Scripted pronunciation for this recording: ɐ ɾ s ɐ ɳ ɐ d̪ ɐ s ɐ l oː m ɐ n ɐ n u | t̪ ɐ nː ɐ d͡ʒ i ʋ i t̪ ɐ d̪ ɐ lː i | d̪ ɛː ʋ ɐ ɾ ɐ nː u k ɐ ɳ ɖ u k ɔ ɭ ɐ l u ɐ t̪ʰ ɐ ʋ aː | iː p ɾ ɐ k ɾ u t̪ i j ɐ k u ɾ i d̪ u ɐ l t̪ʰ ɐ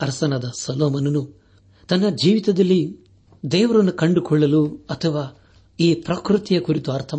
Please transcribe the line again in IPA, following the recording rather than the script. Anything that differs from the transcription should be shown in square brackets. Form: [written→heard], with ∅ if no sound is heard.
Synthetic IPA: ɐ ɾ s ɐ [ɳ→n] ɐ d̪ ɐ s ɐ l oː m ɐ n ɐ n u | t̪ ɐ nː ɐ d͡ʒ [i→iː] ʋ i t̪ ɐ d̪ ɐ lː i | d̪ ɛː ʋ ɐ ɾ ɐ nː u k ɐ ɳ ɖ u k ɔ [ɭ→ɭː] ɐ l u ɐ t̪ʰ ɐ ʋ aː | iː p ɾ ɐ k ɾ u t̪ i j ɐ k u ɾ i [d̪→t̪] u ɐ [l→ɾ] t̪ʰ ɐ